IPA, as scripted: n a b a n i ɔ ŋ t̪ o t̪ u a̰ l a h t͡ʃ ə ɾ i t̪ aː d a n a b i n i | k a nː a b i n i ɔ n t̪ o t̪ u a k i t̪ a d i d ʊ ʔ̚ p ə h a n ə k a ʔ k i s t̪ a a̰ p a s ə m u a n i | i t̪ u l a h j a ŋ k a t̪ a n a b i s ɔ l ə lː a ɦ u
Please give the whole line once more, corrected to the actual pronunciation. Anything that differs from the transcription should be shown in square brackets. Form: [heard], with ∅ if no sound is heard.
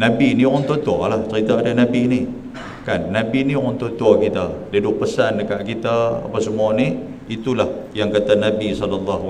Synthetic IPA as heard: n a b [i] n i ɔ [n] t̪ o t̪ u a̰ l a h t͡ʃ ə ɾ i t̪ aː d a n a b i n i | k a nː a b i n i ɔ n t̪ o t̪ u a k i t̪ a d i d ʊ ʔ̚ p ə [s] a n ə k a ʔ k i [∅] t̪ a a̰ p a s ə m u a n i | i t̪ u l a h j a ŋ k a t̪ a n a b i s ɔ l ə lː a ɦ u